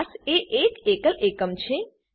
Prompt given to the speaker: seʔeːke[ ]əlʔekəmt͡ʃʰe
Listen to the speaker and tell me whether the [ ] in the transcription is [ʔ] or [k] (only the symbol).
k